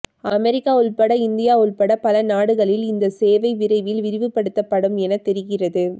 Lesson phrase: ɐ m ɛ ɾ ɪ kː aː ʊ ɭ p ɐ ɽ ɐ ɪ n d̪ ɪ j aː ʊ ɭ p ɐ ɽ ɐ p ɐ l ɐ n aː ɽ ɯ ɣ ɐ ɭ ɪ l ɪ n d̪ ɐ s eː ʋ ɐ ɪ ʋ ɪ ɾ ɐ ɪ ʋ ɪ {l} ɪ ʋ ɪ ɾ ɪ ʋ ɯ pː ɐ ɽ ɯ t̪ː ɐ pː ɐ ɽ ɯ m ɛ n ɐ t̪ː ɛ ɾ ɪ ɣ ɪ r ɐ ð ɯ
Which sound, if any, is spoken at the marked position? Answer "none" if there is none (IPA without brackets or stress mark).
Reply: l